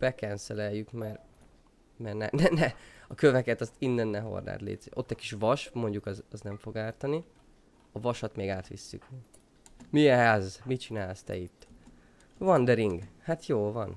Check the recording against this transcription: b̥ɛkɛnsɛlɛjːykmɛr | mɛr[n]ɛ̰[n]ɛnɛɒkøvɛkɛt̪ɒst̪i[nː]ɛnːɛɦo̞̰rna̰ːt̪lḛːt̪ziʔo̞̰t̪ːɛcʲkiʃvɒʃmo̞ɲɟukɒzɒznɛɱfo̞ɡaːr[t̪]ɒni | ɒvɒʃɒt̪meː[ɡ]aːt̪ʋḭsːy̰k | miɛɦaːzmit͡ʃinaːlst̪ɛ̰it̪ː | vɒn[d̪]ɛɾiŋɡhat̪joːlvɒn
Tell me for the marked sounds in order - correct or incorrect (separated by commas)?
correct, correct, correct, correct, correct, correct